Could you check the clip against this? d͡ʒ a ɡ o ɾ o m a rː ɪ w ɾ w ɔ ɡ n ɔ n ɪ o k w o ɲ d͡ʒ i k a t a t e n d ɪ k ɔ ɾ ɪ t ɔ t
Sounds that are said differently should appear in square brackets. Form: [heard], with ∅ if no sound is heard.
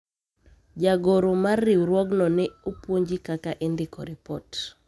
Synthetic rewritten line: d͡ʒ a ɡ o ɾ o m a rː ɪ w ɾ w ɔ ɡ n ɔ n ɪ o [p] w o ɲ d͡ʒ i k a [k] a [ʔ] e n d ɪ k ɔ ɾ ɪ [p] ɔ t